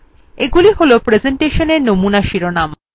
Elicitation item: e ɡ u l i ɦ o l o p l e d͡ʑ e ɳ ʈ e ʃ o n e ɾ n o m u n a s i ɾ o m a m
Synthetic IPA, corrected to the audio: e ɡ u l i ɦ o l o p ɾ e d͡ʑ e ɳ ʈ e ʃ o n e ɾ n o m u n a ʃ i ɾ o n a m